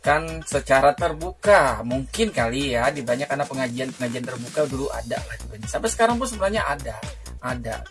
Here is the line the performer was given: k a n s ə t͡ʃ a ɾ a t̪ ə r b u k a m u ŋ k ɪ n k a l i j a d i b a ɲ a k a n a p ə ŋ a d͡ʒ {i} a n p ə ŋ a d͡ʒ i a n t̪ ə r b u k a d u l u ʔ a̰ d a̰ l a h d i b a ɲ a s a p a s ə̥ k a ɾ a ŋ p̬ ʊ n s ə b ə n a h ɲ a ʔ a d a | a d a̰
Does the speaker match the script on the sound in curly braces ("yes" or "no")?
yes